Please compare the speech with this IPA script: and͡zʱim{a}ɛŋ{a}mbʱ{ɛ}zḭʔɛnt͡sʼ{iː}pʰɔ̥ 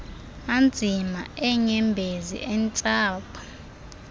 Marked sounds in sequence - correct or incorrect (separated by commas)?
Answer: correct, incorrect, incorrect, incorrect